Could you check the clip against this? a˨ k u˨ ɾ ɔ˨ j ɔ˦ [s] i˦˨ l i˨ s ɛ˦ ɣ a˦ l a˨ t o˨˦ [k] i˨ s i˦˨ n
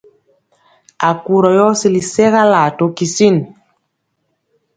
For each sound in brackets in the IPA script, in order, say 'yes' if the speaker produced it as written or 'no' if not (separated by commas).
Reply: yes, yes